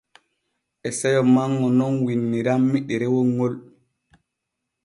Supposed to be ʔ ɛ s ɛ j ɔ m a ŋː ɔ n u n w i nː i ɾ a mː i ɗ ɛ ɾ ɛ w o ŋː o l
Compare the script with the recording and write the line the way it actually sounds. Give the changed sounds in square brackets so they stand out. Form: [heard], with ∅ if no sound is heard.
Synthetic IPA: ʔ ɛ s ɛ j ɔ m a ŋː ɔ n [ɔ] n w i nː i ɾ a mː i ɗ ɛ ɾ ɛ w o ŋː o l